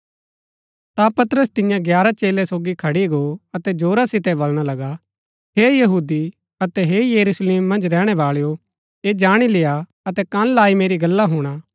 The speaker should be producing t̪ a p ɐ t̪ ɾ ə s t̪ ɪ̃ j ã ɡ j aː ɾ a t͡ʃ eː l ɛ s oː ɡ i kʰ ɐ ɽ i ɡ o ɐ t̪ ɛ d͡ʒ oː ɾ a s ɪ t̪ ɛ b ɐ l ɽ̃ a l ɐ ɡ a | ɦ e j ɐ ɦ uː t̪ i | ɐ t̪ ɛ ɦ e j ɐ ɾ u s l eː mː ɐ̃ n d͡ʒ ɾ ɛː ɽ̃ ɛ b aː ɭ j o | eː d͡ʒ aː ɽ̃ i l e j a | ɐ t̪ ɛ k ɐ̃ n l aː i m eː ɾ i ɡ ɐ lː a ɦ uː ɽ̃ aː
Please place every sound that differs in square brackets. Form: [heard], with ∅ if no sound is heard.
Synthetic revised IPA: t̪ a p ɐ t̪ ɾ ə s t̪ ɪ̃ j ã ɡ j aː ɾ a t͡ʃ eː l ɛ s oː ɡ i kʰ ɐ ɽ i ɡ o ɐ t̪ ɛ d͡ʒ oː ɾ a s ɪ t̪ ɛ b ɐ l ɽ̃ a l ɐ ɡ a | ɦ e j ɐ ɦ uː [d̪] i | ɐ t̪ ɛ ɦ e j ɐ ɾ u s l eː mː ɐ̃ n d͡ʒ ɾ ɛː ɽ̃ ɛ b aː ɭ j o | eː d͡ʒ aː ɽ̃ i l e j a | ɐ t̪ ɛ k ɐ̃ n l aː i m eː ɾ i ɡ ɐ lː a ɦ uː ɽ̃ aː